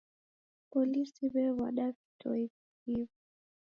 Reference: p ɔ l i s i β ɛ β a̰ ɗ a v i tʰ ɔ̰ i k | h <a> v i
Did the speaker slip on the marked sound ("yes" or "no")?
yes